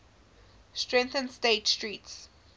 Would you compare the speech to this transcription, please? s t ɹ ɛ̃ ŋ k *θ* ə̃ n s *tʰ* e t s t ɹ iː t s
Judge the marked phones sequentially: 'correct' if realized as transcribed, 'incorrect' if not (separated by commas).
correct, incorrect